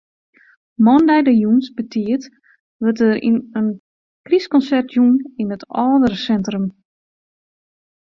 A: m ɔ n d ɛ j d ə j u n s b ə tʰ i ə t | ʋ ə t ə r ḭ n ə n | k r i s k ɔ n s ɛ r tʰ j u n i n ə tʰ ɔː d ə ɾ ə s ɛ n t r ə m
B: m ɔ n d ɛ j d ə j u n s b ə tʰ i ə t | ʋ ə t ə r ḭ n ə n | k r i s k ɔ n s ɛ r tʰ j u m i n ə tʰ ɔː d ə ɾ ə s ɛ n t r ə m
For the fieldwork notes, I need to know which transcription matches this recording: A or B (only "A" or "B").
A